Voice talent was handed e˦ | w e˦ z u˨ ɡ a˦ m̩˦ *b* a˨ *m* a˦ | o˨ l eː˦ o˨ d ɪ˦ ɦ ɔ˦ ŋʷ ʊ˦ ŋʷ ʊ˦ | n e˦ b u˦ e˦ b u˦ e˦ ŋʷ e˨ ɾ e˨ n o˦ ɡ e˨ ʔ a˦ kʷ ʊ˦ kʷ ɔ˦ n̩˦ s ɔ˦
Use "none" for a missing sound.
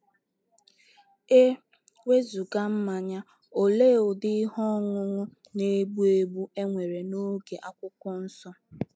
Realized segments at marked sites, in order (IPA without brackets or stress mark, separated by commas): m, ɲ